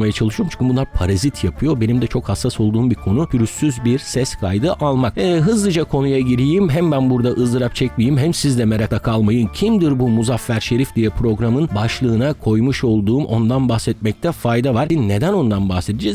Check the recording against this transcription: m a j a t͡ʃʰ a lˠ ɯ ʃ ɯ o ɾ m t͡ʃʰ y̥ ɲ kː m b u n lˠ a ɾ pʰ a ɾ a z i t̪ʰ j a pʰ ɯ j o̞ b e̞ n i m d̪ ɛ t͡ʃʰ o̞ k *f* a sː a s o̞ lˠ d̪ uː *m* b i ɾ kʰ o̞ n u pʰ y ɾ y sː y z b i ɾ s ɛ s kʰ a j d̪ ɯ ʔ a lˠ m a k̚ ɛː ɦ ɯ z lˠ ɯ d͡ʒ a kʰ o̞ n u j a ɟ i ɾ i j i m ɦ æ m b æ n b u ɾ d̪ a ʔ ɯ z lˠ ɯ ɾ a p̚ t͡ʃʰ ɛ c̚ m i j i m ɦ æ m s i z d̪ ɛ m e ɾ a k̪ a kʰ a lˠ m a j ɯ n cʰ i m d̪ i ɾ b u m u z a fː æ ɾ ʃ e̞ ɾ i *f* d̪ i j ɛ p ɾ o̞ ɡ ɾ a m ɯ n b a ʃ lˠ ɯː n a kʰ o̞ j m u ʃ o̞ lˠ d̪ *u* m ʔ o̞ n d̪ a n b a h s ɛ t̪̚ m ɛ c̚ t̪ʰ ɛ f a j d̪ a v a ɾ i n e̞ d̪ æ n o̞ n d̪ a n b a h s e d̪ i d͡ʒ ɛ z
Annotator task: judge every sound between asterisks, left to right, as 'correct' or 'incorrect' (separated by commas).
incorrect, correct, correct, incorrect